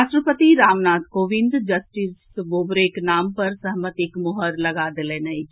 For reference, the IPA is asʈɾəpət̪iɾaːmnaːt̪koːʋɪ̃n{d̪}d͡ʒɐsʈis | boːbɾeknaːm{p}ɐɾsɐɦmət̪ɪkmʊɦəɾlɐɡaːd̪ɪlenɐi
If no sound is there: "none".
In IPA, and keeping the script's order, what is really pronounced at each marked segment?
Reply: d̪, p

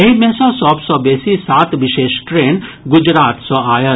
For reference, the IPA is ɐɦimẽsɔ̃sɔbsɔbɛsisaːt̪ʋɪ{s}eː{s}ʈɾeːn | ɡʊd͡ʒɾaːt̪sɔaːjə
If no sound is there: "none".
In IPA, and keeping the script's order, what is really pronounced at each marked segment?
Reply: ʃ, ʃ

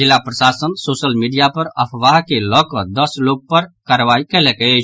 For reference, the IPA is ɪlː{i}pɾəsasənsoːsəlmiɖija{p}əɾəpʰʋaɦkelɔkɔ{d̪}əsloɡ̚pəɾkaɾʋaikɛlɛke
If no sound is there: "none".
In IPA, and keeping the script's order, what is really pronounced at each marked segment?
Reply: a, p, d̪

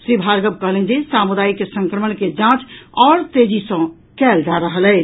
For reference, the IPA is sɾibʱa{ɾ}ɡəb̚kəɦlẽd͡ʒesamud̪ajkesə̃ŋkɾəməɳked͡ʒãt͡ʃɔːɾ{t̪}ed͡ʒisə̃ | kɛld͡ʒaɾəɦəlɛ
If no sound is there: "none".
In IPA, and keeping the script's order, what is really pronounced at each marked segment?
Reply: ɾ, t̪

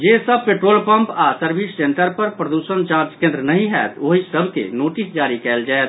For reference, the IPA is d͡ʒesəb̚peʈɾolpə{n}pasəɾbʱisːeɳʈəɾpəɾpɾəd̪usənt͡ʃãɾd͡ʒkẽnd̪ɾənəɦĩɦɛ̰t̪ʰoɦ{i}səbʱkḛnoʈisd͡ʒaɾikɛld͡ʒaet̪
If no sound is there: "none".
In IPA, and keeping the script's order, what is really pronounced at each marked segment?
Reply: m, i

